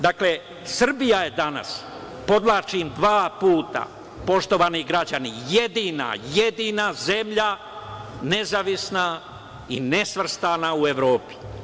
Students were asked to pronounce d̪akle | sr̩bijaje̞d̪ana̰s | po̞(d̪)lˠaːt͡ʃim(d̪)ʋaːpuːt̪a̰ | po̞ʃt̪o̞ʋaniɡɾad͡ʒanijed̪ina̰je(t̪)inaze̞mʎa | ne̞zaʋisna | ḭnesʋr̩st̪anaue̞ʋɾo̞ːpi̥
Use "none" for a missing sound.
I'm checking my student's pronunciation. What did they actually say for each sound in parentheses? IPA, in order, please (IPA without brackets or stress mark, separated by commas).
d̪, d̪, d̪